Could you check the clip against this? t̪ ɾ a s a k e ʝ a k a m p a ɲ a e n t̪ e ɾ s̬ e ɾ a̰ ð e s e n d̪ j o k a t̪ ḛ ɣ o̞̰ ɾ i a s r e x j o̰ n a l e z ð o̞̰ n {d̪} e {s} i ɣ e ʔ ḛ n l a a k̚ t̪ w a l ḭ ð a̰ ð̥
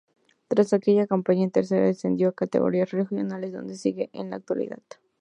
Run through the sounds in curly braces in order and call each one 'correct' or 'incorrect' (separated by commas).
correct, correct